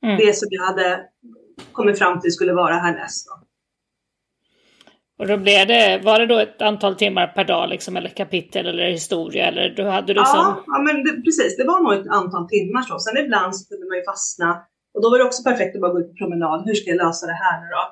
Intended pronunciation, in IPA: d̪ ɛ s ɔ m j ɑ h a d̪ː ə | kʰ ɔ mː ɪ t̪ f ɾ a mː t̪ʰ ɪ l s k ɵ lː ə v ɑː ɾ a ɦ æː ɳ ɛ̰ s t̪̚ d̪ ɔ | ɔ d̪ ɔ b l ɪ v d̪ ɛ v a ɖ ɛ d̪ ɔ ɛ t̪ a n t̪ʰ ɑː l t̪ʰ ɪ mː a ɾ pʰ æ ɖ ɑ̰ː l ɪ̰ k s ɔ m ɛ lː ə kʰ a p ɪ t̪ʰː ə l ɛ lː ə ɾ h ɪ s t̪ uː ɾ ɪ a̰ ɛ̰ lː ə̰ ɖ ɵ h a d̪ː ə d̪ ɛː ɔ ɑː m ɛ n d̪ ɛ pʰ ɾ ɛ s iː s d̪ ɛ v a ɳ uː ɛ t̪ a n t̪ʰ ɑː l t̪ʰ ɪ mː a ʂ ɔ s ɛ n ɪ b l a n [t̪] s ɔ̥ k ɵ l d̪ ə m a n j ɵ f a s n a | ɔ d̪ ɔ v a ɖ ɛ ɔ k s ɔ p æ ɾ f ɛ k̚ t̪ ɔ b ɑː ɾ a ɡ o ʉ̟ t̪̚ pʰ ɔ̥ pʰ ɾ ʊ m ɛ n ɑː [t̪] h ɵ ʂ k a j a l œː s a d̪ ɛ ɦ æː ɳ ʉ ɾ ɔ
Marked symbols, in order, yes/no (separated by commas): no, no